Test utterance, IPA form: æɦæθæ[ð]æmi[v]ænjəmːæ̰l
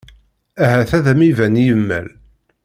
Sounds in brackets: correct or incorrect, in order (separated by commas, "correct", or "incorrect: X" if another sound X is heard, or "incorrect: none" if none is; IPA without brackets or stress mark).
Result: correct, correct